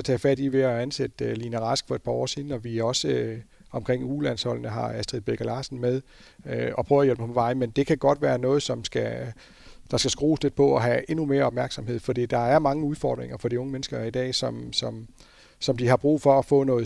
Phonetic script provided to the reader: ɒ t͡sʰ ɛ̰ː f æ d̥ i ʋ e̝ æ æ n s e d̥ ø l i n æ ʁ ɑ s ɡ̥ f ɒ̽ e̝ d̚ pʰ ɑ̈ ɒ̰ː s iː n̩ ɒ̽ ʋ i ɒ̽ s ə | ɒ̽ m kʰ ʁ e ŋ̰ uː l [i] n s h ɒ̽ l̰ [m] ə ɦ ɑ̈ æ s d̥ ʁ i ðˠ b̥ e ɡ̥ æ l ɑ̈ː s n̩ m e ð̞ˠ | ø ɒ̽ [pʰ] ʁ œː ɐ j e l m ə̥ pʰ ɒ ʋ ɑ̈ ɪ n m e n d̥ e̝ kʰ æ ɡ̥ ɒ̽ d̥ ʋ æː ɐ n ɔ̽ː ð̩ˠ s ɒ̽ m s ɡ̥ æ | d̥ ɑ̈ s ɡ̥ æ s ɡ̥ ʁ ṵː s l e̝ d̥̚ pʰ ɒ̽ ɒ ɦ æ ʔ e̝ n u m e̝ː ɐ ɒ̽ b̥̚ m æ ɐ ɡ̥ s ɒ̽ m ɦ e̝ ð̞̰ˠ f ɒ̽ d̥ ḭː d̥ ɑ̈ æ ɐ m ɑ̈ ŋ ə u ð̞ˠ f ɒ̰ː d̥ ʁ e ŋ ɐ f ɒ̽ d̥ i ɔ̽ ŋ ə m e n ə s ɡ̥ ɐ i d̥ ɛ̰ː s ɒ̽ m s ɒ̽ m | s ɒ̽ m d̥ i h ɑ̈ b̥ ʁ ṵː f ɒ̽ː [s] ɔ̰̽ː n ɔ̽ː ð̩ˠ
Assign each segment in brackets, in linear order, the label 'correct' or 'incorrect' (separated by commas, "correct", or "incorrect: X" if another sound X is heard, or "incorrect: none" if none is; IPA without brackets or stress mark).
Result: incorrect: æ, incorrect: n, correct, incorrect: f